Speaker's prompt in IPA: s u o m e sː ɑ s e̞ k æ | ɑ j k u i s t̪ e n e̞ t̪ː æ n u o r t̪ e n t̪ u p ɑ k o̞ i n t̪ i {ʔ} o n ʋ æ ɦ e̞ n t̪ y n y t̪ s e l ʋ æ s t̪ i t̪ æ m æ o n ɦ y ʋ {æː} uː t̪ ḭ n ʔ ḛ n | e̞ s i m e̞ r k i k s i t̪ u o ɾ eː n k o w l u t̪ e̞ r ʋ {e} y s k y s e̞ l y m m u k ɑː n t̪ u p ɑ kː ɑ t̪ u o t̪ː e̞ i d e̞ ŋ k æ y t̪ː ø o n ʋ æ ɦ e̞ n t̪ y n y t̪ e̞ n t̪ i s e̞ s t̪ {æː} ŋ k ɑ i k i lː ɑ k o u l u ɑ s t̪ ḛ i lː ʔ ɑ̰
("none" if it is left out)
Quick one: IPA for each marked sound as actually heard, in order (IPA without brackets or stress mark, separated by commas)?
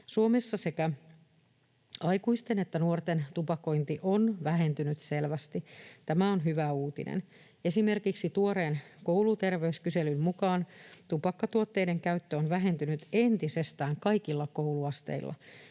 ʔ, æ, e, æː